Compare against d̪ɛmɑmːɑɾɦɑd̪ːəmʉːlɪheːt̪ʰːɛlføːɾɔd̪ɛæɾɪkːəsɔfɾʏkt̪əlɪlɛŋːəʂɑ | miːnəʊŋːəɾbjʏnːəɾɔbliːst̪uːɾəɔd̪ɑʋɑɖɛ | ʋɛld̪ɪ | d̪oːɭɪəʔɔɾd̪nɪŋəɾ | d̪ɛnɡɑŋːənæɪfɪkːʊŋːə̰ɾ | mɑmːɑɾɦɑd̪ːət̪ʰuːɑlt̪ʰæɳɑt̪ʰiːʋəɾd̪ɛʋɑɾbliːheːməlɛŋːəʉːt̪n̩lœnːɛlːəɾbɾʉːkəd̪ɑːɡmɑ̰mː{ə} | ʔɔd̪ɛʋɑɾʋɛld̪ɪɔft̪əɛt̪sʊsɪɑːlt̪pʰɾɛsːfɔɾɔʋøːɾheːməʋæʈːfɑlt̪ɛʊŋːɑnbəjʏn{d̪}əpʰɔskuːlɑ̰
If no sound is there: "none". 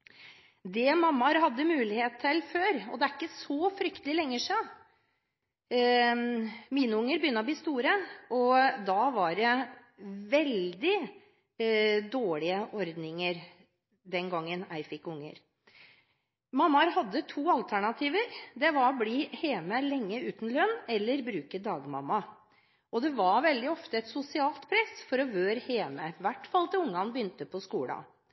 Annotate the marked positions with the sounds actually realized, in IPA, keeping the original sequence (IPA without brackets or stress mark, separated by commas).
ɑ, t̪